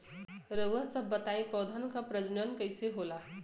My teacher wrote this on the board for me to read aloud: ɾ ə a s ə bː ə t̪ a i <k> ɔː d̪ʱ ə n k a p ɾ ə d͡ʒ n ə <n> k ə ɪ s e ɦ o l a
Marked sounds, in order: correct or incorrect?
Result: incorrect: p, correct

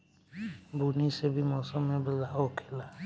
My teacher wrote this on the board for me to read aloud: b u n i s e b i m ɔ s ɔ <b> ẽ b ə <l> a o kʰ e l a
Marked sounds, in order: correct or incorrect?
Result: incorrect: m, correct

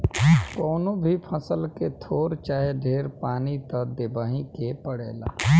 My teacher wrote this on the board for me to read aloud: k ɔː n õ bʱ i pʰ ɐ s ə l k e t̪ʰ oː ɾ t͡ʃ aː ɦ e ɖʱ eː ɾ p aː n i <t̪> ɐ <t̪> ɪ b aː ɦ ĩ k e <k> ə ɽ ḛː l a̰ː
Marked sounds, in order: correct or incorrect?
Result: correct, incorrect: d̪, incorrect: p

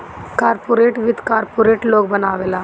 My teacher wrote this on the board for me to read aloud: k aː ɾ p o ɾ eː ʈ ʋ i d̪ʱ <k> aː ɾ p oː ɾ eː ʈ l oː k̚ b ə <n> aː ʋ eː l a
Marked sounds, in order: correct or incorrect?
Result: correct, correct

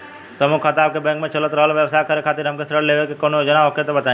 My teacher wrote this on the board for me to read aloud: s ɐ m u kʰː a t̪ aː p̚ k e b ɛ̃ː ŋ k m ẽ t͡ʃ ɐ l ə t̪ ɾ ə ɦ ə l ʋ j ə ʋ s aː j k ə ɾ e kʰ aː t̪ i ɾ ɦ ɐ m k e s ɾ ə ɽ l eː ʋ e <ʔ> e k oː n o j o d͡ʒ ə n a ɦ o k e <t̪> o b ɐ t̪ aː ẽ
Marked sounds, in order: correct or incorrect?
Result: incorrect: k, correct

